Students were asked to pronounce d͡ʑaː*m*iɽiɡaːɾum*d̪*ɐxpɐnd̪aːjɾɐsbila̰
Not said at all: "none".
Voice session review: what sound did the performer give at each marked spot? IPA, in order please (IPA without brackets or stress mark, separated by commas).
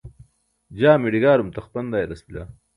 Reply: m, t̪